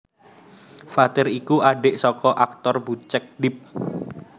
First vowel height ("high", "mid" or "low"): low